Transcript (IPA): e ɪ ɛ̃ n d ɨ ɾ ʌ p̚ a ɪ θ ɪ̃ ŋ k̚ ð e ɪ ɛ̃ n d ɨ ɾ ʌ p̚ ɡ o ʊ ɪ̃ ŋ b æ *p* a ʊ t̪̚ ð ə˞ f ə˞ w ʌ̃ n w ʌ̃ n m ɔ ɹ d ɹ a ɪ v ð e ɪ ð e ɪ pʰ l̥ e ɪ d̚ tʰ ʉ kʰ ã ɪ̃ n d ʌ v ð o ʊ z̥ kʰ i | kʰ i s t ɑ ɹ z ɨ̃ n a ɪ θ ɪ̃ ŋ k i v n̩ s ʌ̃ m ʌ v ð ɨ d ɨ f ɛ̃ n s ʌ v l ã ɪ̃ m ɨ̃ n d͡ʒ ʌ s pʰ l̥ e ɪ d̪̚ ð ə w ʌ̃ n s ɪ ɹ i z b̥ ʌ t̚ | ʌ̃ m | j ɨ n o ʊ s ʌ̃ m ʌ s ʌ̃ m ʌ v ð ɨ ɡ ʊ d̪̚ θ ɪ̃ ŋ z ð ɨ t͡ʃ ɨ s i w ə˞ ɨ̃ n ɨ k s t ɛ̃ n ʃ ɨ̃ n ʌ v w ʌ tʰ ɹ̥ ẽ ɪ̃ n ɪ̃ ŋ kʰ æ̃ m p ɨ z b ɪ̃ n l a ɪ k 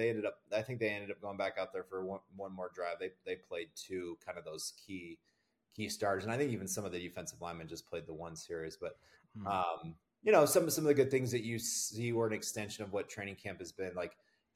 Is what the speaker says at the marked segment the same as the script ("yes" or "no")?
no